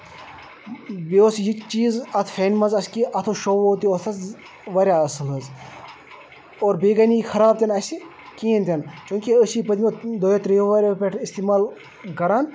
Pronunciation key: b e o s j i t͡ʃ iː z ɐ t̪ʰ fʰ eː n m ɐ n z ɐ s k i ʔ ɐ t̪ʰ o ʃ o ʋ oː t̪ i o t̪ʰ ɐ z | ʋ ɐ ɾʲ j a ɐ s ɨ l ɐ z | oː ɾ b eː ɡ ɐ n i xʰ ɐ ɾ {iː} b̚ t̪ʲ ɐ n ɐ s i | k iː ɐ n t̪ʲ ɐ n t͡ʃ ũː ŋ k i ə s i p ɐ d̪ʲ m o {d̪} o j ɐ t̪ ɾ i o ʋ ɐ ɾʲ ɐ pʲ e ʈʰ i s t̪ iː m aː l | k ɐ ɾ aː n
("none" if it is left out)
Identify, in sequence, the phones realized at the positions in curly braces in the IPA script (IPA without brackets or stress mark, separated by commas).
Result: aː, d̪